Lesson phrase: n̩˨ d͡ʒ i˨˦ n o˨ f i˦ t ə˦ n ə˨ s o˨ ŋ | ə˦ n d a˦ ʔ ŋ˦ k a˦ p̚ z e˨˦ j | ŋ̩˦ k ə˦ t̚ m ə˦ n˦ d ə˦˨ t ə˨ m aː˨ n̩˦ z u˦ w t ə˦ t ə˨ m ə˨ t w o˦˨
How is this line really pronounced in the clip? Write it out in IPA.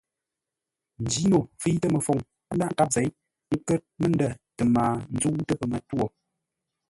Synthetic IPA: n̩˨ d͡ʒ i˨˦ n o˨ f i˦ t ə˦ m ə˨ f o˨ ŋ | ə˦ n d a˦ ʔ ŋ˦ k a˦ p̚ z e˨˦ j | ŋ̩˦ k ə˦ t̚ m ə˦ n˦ d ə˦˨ t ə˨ m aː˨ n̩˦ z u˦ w t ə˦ p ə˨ m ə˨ t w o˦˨